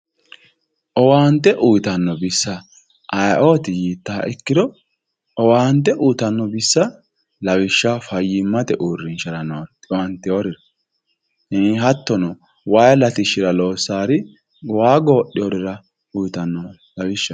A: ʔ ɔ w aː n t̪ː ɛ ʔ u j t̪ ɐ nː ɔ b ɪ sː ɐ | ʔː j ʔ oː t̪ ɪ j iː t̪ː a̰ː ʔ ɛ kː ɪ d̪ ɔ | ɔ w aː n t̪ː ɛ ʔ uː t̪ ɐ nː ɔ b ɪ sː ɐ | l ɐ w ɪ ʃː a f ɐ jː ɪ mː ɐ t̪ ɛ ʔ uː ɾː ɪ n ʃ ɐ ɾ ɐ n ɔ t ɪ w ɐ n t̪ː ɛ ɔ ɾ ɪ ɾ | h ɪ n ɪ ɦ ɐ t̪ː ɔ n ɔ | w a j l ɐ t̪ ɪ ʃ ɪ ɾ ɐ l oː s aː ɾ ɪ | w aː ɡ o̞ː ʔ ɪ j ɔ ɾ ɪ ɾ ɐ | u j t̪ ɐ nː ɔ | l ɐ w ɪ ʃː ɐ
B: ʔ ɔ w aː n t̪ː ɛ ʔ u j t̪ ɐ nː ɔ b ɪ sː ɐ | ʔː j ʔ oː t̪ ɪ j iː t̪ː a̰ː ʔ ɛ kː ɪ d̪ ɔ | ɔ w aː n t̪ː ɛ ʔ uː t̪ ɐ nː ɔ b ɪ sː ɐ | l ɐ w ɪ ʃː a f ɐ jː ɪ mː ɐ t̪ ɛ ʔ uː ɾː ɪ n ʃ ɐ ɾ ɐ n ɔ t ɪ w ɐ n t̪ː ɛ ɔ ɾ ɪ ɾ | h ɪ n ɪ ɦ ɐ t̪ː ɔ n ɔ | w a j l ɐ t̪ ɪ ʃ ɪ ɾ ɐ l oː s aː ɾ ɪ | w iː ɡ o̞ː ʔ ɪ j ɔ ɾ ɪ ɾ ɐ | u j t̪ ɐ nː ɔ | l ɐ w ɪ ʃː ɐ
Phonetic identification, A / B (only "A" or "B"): A